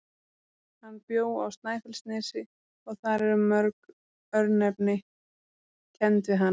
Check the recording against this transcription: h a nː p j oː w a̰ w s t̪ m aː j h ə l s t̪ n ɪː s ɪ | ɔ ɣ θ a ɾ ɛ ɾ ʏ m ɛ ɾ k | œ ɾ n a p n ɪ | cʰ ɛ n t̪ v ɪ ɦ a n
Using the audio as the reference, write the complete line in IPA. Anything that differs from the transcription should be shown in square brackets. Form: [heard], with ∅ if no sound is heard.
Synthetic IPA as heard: h a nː p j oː w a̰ w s t̪ [n] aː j [θ] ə l s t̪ n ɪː s ɪ | ɔ ɣ θ a ɾ ɛ ɾ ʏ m [œ] ɾ k | œ ɾ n [ɛ] p n ɪ | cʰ ɛ n t̪ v ɪ ɦ a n